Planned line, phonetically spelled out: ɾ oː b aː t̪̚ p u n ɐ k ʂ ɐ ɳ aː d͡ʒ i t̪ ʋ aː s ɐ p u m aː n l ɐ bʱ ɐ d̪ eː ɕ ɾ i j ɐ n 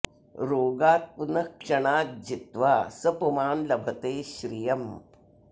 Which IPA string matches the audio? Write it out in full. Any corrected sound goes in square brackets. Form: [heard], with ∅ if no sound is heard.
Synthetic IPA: ɾ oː [ɡ] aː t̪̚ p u n ɐ k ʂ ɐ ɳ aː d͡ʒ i t̪ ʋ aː s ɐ p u m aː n l ɐ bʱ ɐ [t̪] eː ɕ ɾ i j ɐ [m]